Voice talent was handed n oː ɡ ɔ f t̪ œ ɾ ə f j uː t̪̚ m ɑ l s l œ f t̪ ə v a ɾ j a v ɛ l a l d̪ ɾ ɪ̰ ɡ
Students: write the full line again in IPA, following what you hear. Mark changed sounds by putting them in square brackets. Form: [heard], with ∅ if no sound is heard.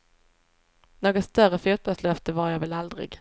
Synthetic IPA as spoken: n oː ɡ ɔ [s] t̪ œ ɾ ə f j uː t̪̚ [b] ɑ l s l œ f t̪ ə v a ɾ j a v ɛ l a l d̪ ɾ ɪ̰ ɡ